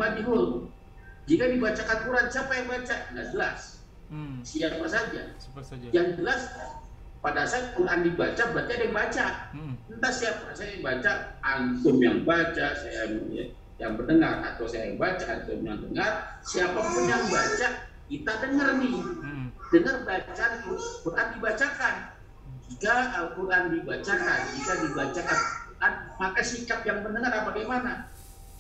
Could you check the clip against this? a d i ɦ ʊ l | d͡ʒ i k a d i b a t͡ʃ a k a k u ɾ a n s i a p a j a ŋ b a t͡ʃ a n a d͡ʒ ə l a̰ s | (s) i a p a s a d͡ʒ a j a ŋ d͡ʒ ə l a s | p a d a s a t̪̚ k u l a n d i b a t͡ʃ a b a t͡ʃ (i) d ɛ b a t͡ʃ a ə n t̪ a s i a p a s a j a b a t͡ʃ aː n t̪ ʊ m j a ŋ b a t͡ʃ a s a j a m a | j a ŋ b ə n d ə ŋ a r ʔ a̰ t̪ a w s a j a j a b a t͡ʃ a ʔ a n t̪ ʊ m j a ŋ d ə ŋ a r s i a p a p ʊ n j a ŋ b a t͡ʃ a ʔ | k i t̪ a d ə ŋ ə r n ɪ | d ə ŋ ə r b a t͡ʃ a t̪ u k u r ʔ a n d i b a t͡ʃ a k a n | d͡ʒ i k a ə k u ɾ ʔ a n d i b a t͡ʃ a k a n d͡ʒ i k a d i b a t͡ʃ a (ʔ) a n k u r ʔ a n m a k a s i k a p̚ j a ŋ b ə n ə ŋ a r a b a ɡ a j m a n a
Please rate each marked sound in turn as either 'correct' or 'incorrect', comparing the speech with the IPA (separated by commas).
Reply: correct, incorrect, incorrect